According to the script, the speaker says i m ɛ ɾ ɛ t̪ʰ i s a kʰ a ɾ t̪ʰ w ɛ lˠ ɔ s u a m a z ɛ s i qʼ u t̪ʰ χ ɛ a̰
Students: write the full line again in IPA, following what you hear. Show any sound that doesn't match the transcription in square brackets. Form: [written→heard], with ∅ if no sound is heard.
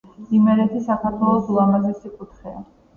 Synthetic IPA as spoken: i m ɛ ɾ ɛ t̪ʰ i s a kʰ a ɾ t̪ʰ w ɛ lˠ ɔ s u a m a z ɛ s i [qʼ→kʼ] u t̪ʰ χ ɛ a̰